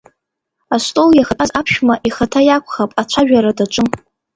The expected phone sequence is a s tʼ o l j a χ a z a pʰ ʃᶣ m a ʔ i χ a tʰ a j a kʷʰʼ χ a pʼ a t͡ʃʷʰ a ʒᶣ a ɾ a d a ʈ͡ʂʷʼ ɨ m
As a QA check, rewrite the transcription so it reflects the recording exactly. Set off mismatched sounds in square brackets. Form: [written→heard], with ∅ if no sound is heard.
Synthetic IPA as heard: a s tʼ o l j a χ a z a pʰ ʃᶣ m a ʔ i χ a tʰ a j a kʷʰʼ χ a pʼ a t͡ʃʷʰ a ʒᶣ a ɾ a d a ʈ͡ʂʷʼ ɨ m